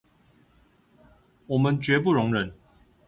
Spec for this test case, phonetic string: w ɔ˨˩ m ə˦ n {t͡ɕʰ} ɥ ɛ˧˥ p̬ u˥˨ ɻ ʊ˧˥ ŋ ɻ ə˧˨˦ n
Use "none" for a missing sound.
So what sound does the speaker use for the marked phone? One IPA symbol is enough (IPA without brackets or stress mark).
t͡ɕ